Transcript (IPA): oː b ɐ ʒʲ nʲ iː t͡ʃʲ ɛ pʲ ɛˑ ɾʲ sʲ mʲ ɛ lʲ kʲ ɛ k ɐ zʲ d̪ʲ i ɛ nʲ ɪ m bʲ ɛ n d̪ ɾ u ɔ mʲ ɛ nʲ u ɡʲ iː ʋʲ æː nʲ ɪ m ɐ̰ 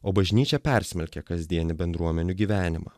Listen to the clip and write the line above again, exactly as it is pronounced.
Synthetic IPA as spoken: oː b ɐ ʒʲ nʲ iː t͡ʃʲ ɛ pʲ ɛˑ ɾʲ sʲ mʲ ɛ lʲ kʲ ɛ k ɐ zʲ d̪ʲ i ɛ nʲ ɪ bʲ ɛ n d̪ ɾ u ɔ mʲ ɛ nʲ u ɡʲ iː ʋʲ æː nʲ ɪ m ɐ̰

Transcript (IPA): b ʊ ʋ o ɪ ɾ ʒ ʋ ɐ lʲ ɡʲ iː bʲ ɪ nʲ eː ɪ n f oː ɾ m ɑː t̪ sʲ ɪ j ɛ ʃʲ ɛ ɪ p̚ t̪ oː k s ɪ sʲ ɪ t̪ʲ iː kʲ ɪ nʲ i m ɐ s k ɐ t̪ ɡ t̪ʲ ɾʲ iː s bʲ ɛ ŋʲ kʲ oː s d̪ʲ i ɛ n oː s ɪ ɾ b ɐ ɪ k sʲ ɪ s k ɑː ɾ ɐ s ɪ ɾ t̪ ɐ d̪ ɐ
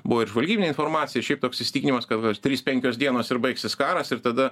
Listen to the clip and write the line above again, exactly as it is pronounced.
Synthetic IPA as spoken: b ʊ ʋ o ɪ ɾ ʒ ʋ ɐ lʲ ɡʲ iː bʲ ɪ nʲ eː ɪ n f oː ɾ m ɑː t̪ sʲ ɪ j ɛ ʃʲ ɛ ɪ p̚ t̪ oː k s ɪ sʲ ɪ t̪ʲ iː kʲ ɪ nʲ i m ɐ s k ɐ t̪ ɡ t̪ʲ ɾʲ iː s pʲ ɛ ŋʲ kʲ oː s d̪ʲ i ɛ n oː s ɪ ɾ b ɐ ɪ k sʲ ɪ s k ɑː ɾ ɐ s ɪ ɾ t̪ ɐ d̪ ɐ

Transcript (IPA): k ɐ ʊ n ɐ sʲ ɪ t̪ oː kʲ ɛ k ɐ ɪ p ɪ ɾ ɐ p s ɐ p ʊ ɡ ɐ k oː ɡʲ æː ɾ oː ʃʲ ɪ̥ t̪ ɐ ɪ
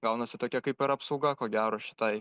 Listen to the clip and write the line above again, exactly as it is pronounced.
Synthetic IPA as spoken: ɡ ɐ ʊ n ɐ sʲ ɪ t̪ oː kʲ ɛ k ɐ ɪ p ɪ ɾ ɐ p s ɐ ʊ ɡ ɐ k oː ɡʲ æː ɾ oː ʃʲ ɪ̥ t̪ ɐ ɪ

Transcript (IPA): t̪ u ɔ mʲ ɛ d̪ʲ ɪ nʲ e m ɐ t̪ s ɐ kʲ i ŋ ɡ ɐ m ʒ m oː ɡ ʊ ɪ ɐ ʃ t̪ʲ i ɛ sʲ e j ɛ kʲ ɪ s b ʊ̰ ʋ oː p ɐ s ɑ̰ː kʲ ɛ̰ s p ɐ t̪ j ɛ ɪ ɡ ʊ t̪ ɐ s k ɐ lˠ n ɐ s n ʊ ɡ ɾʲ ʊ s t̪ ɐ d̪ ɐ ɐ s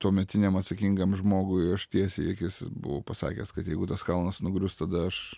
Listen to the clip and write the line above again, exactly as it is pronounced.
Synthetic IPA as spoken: t̪ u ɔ mʲ ɛ t̪ʲ ɪ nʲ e m ɐ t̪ s ɐ kʲ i ŋ ɡ ɐ m ʒ m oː ɡ ʊ ɪ ɐ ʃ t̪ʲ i ɛ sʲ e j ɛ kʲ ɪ s b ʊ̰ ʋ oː p ɐ s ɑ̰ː kʲ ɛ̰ s k ɐ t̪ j ɛ ɪ ɡ ʊ t̪ ɐ s k ɐ lˠ n ɐ s n ʊ ɡ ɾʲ ʊ s t̪ ɐ d̪ ɐ ɐ ʃ

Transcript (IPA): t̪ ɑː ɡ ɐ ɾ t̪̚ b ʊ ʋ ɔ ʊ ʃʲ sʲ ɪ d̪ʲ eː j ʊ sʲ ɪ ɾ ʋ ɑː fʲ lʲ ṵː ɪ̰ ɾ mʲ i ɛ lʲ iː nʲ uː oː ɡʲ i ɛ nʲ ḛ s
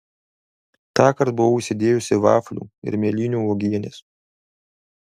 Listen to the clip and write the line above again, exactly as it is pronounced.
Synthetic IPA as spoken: t̪ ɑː k ɐ ɾ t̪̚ b ʊ ʋ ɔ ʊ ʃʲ sʲ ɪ d̪ʲ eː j ʊ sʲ ɪ ʋ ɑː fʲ lʲ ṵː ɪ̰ ɾ mʲ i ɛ lʲ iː nʲ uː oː ɡʲ i ɛ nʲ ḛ s

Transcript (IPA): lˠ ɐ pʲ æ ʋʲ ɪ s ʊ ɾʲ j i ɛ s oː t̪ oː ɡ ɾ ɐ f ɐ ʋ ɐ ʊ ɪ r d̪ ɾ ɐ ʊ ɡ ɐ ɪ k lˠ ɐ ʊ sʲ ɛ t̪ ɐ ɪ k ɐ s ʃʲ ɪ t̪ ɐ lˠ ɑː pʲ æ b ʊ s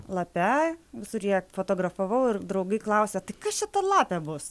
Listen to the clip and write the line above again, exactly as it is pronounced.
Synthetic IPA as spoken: lˠ ɐ pʲ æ ʋʲ ɪ s ʊ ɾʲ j i ɛ f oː t̪ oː ɡ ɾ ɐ f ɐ ʋ ɐ ʊ ɪ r d̪ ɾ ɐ ʊ ɡ ɐ ɪ k lˠ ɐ ʊ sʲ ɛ t̪ ɐ ɪ k ɐ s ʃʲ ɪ t̪ ɐ lˠ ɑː pʲ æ b ʊ s

